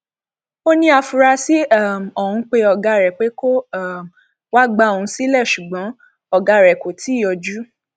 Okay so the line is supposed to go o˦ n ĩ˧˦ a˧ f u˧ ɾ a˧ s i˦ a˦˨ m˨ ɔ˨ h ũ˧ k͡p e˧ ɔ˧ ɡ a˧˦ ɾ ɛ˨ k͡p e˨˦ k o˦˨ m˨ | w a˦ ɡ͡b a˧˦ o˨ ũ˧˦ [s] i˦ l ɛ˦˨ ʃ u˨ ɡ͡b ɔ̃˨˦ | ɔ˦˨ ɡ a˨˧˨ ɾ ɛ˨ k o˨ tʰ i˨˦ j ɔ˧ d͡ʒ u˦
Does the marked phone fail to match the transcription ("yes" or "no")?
no